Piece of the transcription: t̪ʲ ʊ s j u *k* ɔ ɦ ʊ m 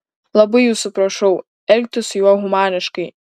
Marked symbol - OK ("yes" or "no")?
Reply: no